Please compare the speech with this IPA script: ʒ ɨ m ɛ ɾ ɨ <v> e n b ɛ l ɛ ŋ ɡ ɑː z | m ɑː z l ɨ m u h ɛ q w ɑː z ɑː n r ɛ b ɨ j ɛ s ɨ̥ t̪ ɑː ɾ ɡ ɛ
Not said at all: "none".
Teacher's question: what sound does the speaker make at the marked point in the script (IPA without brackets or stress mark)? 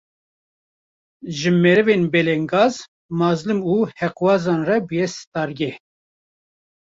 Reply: v